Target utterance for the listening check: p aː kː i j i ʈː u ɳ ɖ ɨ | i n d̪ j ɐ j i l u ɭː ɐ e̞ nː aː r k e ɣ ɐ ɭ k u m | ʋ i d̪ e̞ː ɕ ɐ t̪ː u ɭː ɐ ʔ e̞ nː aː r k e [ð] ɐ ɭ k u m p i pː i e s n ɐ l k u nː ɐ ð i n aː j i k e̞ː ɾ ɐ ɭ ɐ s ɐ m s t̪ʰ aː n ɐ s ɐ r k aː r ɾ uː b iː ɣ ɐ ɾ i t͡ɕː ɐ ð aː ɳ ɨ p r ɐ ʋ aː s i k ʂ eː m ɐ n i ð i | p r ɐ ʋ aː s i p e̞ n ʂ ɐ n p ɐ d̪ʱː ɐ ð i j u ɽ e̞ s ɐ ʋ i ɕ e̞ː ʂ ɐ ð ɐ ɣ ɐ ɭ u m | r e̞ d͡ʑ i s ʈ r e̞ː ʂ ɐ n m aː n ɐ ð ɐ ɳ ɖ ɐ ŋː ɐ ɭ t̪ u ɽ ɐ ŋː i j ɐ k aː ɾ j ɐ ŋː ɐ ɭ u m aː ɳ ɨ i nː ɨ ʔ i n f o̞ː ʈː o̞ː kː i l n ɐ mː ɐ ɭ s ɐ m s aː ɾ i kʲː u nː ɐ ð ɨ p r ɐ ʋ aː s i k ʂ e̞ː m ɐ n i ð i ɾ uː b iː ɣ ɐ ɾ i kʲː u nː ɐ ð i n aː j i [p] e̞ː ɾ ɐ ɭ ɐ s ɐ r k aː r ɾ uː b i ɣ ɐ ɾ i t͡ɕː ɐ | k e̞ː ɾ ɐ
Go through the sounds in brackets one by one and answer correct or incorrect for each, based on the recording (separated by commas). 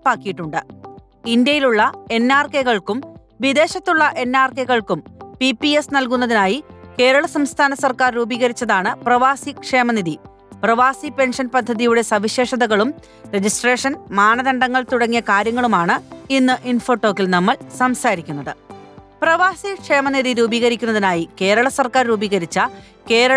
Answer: incorrect, incorrect